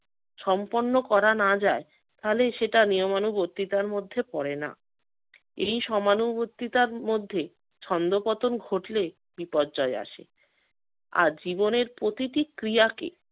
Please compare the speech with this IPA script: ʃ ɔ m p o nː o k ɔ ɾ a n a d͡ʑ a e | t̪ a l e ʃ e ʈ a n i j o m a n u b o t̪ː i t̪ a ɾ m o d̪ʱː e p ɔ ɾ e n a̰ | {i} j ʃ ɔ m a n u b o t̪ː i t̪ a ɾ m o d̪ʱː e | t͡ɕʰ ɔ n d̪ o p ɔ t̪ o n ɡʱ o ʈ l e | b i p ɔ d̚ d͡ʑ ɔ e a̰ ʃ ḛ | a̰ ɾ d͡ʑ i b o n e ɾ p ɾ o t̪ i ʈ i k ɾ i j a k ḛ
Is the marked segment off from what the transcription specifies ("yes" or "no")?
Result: yes